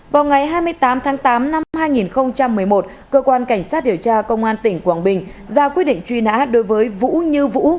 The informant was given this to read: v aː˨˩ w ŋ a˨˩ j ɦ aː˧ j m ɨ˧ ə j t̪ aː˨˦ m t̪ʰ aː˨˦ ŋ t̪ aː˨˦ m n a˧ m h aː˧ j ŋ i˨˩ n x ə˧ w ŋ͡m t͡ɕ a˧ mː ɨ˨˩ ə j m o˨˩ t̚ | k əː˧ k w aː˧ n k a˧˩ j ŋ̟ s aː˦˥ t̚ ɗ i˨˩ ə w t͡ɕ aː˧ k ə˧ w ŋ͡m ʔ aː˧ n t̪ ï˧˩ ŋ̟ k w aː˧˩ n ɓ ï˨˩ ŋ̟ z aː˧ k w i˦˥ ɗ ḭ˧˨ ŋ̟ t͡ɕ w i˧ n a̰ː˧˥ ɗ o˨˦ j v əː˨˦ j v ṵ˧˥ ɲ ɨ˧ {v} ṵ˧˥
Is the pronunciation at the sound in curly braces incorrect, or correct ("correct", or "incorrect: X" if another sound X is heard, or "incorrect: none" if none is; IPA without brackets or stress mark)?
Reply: correct